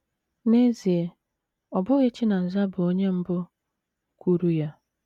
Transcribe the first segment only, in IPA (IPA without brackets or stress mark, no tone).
n